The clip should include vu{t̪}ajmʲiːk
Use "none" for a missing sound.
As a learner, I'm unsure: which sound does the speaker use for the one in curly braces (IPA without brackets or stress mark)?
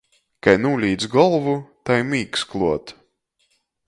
t̪